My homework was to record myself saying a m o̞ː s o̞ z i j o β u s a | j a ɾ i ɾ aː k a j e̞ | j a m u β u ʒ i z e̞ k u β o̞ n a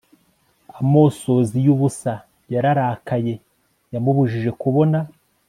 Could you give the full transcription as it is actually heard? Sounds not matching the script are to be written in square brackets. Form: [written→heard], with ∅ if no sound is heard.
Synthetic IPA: a m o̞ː s o̞ z i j [o→u] β u s a | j a ɾ [i→a] ɾ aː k a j e̞ | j a m u β u ʒ i [z→ʒ] e̞ k u β o̞ n a